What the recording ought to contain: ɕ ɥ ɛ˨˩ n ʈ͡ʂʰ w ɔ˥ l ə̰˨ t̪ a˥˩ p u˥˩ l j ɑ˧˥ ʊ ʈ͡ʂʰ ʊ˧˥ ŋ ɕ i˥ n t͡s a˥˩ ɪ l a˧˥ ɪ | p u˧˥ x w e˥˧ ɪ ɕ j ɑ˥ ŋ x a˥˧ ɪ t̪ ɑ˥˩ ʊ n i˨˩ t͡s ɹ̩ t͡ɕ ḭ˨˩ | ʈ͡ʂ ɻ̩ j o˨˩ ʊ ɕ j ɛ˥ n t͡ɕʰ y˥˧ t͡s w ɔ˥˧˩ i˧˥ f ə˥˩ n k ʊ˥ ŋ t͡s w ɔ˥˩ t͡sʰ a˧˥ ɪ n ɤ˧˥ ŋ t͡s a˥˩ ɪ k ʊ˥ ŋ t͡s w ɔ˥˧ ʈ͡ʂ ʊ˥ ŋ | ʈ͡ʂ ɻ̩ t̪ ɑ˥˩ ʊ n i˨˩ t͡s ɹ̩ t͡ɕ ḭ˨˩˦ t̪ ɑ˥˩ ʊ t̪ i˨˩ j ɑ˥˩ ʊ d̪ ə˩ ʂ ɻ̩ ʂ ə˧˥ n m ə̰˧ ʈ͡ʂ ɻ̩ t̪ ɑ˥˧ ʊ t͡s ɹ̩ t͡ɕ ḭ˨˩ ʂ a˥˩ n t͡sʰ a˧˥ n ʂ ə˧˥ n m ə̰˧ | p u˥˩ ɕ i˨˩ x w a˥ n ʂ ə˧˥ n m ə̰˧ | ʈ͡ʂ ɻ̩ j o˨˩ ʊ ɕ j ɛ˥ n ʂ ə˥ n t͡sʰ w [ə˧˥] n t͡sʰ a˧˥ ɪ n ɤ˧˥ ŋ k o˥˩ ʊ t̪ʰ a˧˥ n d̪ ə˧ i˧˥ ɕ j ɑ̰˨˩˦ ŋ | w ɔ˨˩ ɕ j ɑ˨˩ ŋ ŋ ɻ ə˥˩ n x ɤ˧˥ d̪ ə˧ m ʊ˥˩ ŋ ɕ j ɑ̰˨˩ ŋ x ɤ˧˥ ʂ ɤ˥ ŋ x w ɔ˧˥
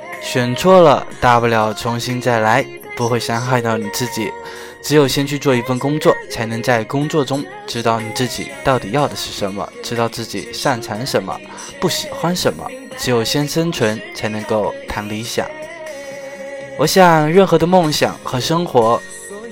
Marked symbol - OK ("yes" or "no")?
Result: yes